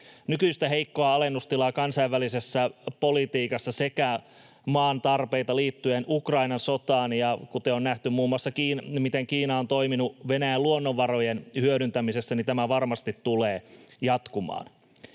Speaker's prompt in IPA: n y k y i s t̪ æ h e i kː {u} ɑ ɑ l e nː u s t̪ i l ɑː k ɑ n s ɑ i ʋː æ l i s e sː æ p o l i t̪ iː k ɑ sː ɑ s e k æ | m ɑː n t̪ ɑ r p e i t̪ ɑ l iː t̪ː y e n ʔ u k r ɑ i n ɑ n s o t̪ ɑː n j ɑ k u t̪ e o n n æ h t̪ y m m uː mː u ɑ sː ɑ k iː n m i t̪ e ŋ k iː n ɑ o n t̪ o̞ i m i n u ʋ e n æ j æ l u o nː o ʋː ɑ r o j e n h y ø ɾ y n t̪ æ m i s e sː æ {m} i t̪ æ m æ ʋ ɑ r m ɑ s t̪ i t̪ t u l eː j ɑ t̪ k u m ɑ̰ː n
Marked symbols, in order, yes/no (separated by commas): no, no